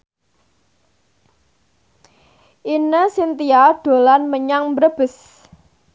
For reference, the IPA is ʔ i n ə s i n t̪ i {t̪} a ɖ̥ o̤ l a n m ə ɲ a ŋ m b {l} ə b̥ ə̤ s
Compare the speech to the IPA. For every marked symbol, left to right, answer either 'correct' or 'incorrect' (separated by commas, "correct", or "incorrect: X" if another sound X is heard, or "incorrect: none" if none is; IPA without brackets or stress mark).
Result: incorrect: none, incorrect: ɾ